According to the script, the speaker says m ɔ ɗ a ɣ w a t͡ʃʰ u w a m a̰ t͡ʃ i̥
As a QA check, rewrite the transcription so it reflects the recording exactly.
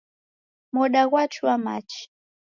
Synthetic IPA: m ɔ ɗ a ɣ w a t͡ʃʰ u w a m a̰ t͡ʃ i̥